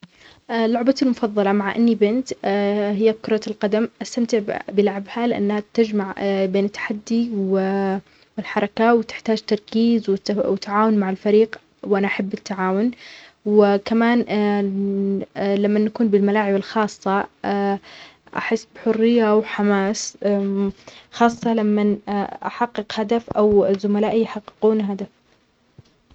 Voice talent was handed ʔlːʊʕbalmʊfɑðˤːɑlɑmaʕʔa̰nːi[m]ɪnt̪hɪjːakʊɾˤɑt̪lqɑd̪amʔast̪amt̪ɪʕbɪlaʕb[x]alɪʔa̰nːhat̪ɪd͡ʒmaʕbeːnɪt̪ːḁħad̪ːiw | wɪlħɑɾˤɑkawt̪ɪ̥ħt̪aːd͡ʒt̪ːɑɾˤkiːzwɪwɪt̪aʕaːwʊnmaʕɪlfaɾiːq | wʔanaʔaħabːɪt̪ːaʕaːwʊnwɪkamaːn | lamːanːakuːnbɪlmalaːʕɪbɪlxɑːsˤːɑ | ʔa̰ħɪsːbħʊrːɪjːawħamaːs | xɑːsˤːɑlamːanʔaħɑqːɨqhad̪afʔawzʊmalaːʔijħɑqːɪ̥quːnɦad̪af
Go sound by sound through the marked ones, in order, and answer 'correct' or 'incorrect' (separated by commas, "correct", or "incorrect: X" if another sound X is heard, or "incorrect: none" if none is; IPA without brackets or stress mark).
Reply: incorrect: b, incorrect: h